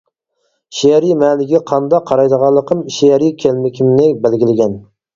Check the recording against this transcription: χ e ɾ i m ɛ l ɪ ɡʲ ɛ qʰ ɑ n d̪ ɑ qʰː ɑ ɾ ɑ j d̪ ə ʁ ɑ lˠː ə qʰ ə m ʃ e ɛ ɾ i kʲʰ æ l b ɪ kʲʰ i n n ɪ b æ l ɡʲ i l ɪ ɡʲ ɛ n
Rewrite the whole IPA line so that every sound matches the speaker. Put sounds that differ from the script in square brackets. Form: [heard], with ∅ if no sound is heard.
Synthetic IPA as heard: [ʃ] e ɾ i m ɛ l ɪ ɡʲ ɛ qʰ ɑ n d̪ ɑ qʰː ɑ ɾ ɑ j d̪ ə ʁ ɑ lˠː ə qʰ ə m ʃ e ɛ ɾ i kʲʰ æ l [m] ɪ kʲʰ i [m] n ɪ b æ l ɡʲ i l ɪ ɡʲ ɛ n